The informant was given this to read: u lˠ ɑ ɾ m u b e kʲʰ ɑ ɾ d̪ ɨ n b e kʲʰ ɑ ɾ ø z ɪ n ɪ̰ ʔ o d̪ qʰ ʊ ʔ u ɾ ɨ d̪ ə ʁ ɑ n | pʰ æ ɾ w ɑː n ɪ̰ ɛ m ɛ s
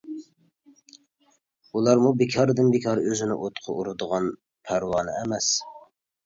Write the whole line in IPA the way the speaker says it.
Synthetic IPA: u lˠ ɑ ɾ m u b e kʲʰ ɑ ɾ d̪ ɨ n b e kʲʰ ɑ ɾ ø z ɪ n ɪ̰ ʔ o t̪ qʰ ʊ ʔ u ɾ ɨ d̪ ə ʁ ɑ n | pʰ æ ɾ w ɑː n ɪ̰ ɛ m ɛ s